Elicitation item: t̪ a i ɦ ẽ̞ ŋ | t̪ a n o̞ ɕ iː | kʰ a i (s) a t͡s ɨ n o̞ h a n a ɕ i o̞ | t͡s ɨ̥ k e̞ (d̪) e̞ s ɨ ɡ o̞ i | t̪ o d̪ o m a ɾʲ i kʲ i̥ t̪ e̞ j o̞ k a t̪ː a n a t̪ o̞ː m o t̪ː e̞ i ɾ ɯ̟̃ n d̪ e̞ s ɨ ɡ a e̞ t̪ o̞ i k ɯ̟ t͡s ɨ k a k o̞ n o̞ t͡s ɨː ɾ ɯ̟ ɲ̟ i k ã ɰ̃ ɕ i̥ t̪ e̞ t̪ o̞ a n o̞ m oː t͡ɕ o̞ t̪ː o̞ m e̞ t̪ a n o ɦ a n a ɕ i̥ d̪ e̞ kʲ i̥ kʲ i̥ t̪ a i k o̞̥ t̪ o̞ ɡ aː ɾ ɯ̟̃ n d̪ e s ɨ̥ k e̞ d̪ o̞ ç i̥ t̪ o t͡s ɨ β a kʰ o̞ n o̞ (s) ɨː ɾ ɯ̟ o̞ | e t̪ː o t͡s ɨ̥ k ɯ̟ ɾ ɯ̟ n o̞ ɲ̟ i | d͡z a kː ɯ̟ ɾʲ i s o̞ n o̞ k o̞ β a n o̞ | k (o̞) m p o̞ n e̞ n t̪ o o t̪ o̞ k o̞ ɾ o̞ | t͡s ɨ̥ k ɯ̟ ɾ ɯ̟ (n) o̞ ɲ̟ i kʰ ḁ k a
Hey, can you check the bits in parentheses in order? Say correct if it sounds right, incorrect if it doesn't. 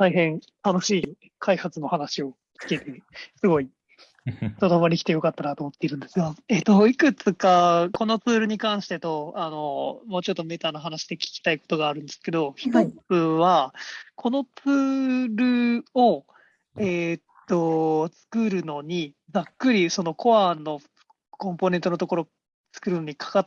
incorrect: h, incorrect: t̪, incorrect: t͡s, incorrect: õ̞, correct

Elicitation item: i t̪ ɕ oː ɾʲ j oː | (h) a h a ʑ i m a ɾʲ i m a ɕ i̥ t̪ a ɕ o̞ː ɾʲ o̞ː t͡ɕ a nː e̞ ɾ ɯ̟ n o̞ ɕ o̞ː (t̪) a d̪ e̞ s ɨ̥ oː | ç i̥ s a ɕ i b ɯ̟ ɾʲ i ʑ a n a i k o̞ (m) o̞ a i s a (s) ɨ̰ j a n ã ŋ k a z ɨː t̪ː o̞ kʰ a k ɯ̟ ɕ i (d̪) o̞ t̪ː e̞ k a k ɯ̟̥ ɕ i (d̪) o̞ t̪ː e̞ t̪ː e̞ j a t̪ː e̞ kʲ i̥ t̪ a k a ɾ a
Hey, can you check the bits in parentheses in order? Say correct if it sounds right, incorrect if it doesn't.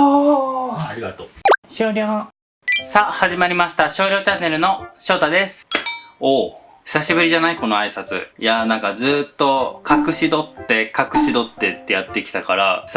incorrect: s, correct, incorrect: n, incorrect: t͡s, correct, correct

